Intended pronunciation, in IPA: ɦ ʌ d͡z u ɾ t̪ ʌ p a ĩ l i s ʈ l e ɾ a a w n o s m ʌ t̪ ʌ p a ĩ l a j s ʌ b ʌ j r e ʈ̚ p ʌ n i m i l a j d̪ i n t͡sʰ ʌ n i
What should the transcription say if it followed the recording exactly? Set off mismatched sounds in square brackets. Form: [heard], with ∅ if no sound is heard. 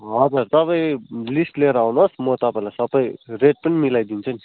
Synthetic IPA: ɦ ʌ d͡z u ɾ t̪ ʌ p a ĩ l i s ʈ l e ɾ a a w n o s m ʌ t̪ ʌ p a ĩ l a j s ʌ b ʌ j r e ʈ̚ p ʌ n i m i l a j d̪ i n t͡sʰ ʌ n i